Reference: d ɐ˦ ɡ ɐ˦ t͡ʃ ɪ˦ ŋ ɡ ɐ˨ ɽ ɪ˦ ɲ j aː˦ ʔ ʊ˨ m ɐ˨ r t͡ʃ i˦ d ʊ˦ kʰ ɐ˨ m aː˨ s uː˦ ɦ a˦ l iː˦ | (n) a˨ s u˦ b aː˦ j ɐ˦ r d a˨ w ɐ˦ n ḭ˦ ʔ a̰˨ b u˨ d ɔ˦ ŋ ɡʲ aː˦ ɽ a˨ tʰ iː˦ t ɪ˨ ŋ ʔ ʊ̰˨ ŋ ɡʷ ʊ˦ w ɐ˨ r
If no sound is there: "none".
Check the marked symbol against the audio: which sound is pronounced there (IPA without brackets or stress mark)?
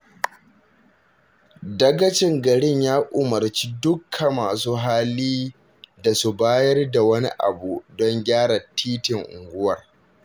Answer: d